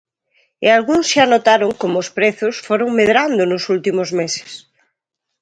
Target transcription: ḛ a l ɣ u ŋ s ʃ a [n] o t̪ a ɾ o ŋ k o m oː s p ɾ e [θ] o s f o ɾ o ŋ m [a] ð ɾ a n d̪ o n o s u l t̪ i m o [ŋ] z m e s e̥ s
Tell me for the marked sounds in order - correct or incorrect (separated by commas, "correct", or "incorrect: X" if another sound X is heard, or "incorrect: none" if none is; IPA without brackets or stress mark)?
correct, correct, incorrect: e, incorrect: none